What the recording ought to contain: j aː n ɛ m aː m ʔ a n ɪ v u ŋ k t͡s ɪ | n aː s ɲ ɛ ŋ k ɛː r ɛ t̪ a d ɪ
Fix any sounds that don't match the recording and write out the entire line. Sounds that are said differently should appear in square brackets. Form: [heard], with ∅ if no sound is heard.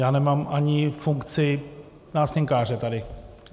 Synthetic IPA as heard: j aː n ɛ m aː m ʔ a [ɲ] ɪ [f] u ŋ k t͡s ɪ | n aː s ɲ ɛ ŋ k [aː] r ɛ t̪ a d ɪ